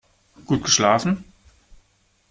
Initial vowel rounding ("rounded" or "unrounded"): rounded